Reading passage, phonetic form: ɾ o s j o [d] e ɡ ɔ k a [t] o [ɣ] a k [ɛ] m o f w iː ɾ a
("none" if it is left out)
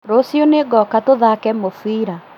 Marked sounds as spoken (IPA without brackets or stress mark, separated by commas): n, t, ð, ɛ